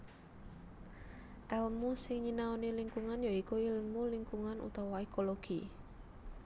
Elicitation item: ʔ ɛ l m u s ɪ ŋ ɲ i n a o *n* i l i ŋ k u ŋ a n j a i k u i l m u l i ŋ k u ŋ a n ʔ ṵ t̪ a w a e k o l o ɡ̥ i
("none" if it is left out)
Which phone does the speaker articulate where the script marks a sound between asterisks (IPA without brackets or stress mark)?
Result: n